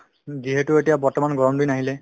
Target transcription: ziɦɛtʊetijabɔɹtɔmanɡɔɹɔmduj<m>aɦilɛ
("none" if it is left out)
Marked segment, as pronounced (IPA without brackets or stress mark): n